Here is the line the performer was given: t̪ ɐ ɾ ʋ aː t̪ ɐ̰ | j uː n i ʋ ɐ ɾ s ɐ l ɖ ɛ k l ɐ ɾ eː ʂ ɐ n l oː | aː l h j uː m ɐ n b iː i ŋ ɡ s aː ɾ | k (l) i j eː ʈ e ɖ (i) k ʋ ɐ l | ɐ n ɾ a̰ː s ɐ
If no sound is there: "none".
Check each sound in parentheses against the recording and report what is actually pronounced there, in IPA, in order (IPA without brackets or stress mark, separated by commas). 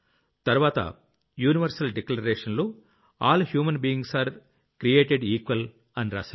ɾ, iː